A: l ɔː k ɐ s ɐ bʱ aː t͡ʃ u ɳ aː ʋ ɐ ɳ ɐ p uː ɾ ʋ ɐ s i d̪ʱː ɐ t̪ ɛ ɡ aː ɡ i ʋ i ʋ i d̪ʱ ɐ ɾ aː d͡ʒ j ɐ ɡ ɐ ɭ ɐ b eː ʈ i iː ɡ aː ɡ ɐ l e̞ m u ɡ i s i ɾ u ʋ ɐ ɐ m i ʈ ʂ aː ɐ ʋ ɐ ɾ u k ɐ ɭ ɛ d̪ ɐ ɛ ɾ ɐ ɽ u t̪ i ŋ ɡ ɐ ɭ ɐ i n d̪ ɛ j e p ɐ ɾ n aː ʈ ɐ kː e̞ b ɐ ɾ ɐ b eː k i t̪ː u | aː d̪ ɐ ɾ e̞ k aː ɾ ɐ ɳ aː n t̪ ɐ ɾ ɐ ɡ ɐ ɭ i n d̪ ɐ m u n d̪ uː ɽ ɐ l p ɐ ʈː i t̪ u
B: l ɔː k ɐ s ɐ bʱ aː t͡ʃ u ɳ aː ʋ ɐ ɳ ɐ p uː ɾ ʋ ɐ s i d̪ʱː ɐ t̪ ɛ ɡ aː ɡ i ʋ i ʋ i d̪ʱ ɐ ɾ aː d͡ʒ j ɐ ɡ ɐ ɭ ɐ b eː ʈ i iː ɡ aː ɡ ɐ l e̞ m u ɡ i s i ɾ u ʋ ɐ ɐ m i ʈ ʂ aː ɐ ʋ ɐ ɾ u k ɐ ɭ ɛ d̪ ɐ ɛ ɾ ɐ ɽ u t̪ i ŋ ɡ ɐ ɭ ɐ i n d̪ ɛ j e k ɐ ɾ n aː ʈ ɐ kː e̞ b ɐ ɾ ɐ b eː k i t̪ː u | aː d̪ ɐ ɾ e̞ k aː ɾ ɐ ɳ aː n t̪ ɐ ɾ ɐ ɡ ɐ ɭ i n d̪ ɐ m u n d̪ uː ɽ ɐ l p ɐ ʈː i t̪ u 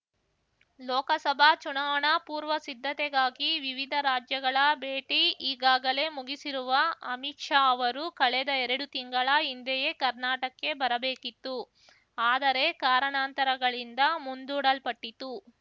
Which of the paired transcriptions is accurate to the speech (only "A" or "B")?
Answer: B